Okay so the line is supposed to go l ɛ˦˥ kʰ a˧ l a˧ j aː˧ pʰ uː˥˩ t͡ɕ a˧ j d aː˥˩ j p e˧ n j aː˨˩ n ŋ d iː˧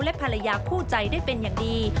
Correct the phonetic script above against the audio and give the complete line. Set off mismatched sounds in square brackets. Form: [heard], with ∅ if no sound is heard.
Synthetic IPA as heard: l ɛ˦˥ [pʰ] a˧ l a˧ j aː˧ [kʰ] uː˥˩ t͡ɕ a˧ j d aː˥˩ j p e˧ n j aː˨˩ [∅] ŋ d iː˧